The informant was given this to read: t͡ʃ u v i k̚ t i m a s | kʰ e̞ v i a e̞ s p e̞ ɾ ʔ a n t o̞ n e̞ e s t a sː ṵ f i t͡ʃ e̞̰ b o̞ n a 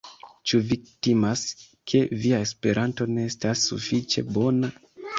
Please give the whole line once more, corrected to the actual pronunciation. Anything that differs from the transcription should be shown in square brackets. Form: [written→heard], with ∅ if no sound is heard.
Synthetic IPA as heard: t͡ʃ u v i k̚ t i m a s | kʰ e̞ v i a e̞ s p e̞ ɾ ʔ a n t o̞ n e̞ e s t a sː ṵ f i t͡ʃ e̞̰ b o̞ n a